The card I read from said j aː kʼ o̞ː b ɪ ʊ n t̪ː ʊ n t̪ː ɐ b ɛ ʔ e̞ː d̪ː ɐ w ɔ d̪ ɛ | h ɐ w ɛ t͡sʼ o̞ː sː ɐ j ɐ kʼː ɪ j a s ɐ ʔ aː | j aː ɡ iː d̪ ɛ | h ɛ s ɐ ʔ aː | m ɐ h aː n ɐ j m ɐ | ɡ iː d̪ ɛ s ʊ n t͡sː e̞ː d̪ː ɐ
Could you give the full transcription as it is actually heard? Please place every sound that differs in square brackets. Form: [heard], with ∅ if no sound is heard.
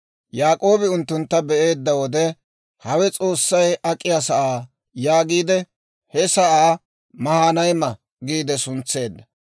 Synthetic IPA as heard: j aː kʼ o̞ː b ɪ ʊ n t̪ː ʊ n t̪ː ɐ b ɛ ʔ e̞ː d̪ː ɐ w ɔ d̪ ɛ | h ɐ w ɛ t͡sʼ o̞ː sː ɐ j ɐ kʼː ɪ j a s ɐ ʔ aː | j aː ɡ iː d̪ ɛ | h ɛ s ɐ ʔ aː | m ɐ h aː n ɐ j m ɐ | ɡ iː d̪ ɛ s ʊ n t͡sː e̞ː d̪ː ɐ